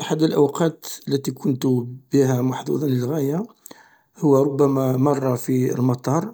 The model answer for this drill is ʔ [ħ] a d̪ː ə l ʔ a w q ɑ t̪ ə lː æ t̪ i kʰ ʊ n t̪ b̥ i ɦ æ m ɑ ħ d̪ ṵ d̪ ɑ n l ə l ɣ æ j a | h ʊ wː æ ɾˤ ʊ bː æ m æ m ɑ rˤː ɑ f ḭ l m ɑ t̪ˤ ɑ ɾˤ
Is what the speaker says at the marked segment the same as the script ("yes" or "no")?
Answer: yes